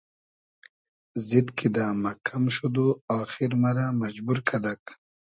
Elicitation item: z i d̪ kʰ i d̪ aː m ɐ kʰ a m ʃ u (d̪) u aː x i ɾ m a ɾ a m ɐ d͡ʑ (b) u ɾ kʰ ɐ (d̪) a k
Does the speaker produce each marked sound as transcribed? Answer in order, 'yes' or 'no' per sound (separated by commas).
yes, yes, yes